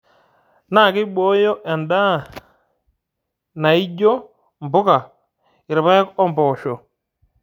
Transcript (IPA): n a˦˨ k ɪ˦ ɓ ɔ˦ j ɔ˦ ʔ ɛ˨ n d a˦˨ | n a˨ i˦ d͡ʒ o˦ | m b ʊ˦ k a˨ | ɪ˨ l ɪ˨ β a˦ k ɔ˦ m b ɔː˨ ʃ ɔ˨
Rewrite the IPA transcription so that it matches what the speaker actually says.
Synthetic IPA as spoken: n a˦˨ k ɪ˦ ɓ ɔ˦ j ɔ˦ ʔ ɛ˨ n d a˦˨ | n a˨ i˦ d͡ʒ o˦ | m b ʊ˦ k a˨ | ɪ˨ ɾ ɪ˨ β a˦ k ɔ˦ m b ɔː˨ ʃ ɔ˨